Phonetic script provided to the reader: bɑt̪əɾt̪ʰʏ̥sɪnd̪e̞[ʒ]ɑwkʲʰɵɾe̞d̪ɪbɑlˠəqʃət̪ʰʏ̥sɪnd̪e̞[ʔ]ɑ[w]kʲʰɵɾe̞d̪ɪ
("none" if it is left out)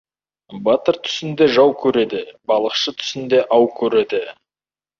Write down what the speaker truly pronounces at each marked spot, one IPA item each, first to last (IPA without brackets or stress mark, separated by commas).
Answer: ʒ, ʔ, w